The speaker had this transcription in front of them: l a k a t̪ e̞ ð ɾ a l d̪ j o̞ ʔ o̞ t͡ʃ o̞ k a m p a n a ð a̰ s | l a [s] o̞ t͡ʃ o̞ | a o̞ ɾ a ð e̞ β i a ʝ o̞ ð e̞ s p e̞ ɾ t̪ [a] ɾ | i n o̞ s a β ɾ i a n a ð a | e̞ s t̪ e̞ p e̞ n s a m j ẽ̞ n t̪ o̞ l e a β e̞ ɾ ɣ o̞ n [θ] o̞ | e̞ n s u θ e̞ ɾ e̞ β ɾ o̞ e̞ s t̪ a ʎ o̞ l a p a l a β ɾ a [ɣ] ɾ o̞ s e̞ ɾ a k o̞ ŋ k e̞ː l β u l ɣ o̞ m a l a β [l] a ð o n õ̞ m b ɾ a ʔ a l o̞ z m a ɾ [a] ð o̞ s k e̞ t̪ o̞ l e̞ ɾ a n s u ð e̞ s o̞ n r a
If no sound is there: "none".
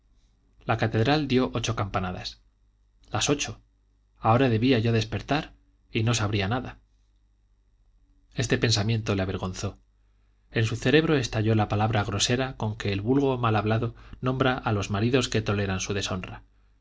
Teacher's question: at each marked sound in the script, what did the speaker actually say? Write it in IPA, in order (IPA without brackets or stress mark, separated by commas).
s, a, θ, ɣ, l, i